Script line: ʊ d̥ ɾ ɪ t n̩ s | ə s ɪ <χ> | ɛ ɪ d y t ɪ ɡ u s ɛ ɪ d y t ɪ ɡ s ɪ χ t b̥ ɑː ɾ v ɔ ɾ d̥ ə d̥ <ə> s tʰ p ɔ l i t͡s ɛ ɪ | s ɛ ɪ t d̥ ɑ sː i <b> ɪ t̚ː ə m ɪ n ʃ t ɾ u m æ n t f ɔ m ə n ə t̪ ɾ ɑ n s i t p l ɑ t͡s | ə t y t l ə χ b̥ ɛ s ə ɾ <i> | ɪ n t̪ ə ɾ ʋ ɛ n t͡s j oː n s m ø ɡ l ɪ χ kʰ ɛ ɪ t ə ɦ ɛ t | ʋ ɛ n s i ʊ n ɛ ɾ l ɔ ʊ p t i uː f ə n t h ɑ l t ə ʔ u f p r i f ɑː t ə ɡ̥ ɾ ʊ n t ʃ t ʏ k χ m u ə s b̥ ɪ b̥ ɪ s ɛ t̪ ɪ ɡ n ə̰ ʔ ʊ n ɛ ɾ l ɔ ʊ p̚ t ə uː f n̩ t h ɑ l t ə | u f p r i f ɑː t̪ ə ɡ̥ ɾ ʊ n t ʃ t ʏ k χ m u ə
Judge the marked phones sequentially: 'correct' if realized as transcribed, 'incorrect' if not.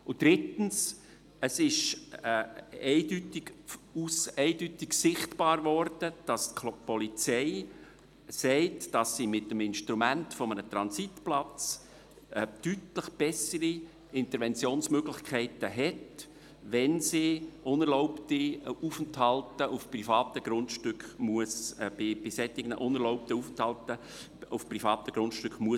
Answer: incorrect: ʃ, incorrect: ɑ, incorrect: m, correct

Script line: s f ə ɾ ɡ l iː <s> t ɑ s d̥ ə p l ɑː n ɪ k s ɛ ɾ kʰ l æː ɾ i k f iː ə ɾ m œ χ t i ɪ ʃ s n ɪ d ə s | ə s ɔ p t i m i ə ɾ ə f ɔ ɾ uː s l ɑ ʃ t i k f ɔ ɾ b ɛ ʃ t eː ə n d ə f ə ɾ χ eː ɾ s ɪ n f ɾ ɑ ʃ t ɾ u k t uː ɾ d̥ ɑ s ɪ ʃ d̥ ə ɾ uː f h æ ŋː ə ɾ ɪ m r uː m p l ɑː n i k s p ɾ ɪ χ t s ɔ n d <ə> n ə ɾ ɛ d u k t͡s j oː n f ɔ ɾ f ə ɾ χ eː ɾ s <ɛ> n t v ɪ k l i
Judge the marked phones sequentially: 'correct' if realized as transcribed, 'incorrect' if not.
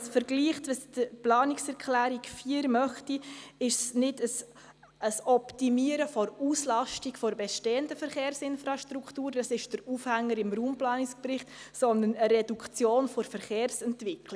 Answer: incorrect: χ, correct, correct

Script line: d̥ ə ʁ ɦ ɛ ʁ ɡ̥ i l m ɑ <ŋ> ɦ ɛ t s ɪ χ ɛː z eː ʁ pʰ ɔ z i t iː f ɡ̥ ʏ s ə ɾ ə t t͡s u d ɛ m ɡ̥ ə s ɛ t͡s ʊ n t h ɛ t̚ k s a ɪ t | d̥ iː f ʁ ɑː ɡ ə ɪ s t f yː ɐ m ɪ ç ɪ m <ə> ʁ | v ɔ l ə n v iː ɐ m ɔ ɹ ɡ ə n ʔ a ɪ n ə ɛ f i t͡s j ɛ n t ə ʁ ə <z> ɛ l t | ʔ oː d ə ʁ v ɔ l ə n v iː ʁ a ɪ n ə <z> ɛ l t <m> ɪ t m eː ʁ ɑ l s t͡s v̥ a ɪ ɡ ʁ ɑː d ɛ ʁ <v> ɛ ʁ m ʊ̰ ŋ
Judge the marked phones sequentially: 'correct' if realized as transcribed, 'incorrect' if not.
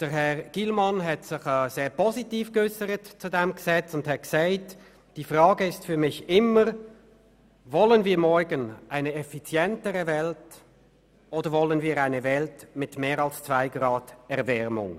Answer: incorrect: n, correct, incorrect: v, incorrect: v, correct, correct

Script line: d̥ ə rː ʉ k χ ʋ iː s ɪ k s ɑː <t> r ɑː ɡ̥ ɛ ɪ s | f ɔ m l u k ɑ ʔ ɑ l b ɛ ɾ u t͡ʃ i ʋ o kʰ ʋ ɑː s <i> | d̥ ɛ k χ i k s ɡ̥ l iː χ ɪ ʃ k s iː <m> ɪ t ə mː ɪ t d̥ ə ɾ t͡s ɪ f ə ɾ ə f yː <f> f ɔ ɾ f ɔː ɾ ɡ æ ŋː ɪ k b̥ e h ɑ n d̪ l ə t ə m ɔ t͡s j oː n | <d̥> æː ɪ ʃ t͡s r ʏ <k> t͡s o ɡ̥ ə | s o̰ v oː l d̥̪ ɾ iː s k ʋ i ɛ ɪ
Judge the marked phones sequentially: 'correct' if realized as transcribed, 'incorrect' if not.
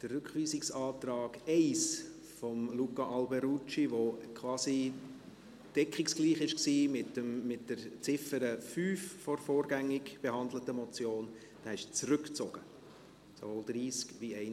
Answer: correct, correct, correct, correct, correct, correct

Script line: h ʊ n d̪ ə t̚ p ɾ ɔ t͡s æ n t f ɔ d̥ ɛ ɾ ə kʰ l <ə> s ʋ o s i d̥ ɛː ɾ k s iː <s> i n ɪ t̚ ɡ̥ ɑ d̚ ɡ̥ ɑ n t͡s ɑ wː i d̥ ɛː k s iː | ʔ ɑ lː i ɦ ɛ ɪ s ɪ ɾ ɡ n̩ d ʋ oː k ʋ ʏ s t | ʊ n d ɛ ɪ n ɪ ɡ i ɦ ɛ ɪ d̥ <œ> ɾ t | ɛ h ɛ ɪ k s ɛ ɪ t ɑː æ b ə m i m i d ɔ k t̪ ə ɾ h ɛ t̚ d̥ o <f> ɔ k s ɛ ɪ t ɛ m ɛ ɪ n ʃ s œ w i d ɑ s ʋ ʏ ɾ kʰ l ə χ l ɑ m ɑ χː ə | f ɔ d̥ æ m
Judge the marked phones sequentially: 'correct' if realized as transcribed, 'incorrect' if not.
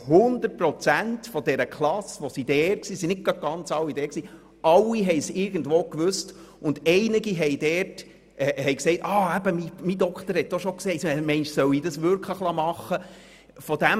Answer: incorrect: ɑ, correct, incorrect: ɛ, incorrect: ʃ

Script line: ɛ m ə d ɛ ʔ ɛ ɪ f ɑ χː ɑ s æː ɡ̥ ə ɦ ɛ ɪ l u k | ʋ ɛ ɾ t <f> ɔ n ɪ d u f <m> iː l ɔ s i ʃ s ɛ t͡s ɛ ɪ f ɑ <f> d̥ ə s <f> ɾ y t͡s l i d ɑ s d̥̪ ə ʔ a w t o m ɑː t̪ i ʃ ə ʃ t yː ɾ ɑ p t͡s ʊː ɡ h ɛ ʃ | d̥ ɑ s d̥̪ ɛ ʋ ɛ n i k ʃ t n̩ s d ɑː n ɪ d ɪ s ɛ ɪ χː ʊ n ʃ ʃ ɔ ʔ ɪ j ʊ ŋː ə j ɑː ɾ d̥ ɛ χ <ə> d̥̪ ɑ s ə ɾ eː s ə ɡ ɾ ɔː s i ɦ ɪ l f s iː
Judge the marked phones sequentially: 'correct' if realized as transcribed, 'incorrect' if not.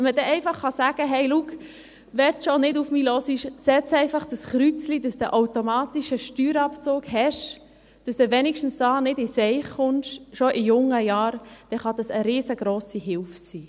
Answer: incorrect: ʃ, correct, incorrect: χ, incorrect: χ, incorrect: ɑ

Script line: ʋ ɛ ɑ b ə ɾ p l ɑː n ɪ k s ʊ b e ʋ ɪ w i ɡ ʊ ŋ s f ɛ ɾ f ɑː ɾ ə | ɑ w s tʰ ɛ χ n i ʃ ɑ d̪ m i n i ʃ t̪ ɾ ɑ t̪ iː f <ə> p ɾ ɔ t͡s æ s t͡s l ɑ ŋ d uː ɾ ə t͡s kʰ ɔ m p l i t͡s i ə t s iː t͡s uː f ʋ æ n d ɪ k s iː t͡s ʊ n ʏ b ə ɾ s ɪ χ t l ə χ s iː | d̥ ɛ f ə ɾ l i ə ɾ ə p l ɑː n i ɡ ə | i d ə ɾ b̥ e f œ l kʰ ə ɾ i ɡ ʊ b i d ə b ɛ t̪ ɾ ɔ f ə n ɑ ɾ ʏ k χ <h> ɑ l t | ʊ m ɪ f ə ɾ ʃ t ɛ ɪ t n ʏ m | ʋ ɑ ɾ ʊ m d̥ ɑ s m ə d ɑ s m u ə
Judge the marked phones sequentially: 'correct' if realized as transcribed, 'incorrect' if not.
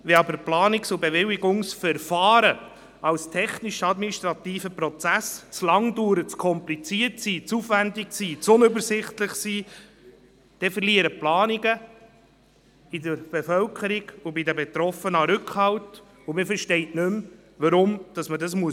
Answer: correct, correct

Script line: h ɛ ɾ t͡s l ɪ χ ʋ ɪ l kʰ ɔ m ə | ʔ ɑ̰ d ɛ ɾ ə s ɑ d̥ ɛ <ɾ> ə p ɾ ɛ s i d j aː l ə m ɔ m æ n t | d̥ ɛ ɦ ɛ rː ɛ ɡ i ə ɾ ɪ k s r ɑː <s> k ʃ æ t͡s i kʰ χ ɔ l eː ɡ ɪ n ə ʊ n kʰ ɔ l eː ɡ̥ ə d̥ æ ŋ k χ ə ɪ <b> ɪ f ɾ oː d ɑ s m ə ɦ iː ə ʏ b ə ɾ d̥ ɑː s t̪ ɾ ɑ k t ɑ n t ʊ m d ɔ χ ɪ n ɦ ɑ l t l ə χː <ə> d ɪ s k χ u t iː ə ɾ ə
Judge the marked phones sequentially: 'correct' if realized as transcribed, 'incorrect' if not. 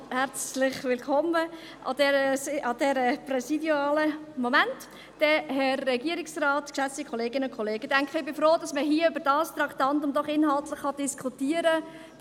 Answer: correct, incorrect: t, correct, incorrect: ɑ

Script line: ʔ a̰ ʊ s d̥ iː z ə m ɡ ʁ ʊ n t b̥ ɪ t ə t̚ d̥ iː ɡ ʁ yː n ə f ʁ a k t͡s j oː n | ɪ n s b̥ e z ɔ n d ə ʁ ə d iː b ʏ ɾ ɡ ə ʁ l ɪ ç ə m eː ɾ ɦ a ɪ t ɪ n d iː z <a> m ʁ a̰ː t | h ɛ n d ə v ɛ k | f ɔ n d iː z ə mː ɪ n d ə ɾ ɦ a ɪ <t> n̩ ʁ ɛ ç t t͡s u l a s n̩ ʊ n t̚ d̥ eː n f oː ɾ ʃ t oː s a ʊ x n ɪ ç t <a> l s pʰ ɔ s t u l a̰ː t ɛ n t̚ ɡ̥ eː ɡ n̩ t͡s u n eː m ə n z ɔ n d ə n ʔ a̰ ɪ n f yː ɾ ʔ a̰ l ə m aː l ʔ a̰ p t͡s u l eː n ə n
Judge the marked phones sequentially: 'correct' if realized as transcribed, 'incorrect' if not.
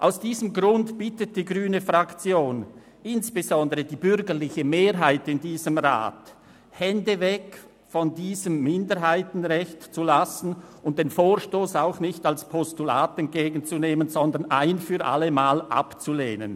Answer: incorrect: ə, correct, correct

